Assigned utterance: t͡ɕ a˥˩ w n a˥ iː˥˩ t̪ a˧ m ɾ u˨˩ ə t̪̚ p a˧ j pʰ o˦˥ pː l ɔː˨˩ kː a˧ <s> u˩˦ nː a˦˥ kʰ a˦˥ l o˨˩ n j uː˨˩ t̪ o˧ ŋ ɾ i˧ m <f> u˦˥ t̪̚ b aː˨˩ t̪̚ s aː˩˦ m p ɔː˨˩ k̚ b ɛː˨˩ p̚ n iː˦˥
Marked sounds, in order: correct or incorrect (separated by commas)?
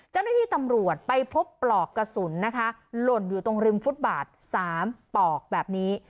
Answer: correct, correct